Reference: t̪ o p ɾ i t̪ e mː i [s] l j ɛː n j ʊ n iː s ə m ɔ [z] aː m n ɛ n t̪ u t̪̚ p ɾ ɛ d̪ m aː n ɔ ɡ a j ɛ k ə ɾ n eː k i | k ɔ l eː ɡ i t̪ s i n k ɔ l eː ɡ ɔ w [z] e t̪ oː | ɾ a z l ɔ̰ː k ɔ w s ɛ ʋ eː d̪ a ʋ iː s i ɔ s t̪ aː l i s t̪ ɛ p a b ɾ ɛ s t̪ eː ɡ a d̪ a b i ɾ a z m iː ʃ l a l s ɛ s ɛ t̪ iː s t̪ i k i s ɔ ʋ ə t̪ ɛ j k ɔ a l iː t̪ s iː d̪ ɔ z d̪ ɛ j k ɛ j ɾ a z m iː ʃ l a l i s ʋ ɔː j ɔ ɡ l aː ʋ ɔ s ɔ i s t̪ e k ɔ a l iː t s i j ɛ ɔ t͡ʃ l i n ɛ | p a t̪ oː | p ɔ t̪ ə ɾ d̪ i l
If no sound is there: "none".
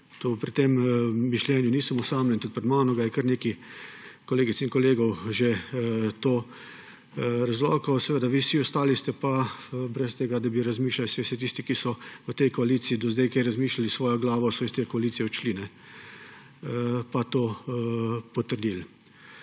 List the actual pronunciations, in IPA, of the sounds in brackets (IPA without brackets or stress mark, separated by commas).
ʃ, s, ʒ